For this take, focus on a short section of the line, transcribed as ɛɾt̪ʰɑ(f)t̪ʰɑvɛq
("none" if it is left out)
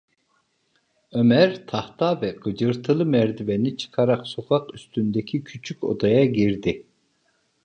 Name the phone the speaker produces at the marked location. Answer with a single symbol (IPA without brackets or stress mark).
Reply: h